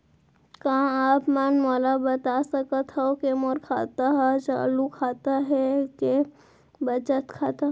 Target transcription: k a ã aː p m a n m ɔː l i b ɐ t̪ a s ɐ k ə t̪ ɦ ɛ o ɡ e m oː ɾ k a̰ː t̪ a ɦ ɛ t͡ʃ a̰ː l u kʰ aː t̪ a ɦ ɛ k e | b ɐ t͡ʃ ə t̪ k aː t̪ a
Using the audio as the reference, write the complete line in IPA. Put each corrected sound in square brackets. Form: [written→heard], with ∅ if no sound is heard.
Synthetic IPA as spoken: k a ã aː p m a n m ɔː l [i→a] b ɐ t̪ a s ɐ k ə t̪ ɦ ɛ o [ɡ→k] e m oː ɾ [k→kʰ] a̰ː t̪ a ɦ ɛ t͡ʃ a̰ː l u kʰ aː t̪ a ɦ ɛ k e | b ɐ t͡ʃ ə t̪ [k→kʰ] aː t̪ a